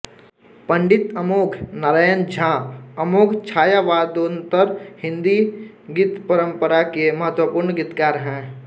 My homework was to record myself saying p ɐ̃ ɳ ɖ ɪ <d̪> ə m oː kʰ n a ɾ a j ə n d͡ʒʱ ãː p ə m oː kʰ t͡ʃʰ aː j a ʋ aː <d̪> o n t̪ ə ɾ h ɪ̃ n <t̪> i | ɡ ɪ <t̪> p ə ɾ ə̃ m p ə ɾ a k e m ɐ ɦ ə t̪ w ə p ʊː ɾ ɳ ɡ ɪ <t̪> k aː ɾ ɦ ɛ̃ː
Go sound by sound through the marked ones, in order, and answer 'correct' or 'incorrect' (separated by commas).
incorrect, correct, incorrect, correct, correct